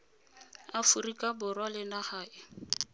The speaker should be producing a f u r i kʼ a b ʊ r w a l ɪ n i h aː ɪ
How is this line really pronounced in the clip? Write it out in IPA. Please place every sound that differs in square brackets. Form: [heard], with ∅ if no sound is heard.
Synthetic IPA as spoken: a f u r i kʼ a b ʊ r w a l ɪ n [a] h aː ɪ